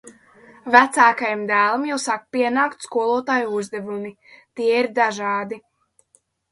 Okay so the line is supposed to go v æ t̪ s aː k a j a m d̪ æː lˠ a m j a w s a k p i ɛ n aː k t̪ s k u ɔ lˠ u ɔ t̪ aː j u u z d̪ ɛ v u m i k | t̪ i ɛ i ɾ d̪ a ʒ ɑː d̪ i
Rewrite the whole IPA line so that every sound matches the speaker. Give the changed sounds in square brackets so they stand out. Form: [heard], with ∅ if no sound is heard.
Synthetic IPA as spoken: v æ t̪ s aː k a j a m d̪ æː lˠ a m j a w s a k p i ɛ n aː k t̪ s k u ɔ lˠ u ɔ t̪ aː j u u z d̪ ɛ v u m i [∅] | t̪ i ɛ i ɾ d̪ a ʒ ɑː d̪ i